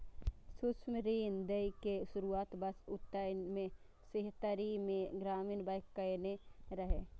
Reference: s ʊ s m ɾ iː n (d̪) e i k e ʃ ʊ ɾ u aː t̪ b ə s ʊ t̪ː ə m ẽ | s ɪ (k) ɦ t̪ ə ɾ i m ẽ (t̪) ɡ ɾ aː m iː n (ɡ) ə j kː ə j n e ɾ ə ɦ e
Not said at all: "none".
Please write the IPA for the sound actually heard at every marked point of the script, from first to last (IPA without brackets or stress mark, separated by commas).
d̪, none, none, b